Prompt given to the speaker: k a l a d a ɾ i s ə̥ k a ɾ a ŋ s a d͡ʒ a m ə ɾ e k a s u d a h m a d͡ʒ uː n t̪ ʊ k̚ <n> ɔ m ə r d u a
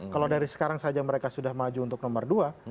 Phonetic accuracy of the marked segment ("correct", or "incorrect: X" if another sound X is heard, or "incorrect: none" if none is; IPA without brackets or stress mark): correct